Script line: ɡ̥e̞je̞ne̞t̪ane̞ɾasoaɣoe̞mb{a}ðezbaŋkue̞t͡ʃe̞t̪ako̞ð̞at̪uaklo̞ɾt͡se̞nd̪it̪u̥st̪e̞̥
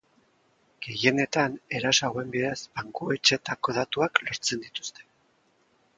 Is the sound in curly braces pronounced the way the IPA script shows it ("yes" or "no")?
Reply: no